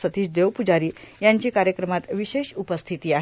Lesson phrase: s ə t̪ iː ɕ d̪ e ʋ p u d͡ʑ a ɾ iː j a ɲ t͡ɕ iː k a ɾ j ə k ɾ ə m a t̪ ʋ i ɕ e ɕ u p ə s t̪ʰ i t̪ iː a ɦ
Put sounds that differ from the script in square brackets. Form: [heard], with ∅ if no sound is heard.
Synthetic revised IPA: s ə t̪ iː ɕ d̪ e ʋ p u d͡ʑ a ɾ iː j a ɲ t͡ɕ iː k a ɾ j ə k ɾ ə m a t̪ ʋ i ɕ e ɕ u p ə s t̪ʰ i t̪ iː a ɦ